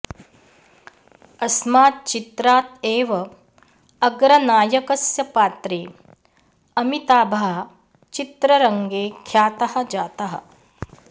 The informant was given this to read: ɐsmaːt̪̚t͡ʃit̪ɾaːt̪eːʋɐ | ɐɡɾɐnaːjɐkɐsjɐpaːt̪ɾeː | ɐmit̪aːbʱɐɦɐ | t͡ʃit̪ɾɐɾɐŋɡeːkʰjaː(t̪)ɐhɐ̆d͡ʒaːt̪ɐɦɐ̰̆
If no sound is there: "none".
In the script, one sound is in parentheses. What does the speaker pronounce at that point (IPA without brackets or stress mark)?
t̪